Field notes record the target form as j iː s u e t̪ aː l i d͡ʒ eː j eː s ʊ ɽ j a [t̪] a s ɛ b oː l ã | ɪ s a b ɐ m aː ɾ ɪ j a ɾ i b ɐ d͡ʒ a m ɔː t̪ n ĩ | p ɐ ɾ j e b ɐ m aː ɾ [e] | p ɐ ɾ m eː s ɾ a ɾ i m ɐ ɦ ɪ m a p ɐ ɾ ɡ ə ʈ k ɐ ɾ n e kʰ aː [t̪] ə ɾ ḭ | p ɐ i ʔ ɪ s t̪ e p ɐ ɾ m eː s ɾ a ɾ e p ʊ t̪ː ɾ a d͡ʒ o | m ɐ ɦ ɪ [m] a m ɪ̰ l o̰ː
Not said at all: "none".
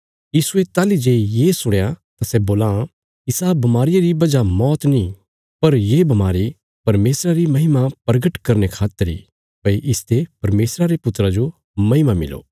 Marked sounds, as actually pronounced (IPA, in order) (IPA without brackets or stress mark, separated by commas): t̪, i, t̪, m